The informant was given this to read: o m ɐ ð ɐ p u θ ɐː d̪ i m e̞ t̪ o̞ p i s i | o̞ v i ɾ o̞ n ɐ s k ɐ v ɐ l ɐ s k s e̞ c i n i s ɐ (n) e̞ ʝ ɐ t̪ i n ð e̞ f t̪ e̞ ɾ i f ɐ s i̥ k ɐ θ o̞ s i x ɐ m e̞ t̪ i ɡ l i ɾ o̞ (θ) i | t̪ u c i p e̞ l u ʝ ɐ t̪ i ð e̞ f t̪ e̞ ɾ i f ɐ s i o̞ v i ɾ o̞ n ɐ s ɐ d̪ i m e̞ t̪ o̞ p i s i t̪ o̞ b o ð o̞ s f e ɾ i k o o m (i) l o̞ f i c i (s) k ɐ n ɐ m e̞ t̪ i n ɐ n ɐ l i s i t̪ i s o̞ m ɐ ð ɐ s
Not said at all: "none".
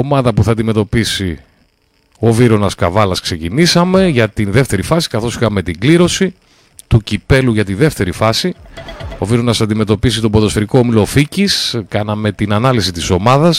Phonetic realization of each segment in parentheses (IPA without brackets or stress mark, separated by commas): m, s, i, s